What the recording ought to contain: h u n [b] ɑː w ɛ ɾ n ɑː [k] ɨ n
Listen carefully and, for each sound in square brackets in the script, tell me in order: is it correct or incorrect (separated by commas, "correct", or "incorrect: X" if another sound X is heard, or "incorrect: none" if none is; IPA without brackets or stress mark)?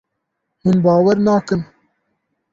correct, correct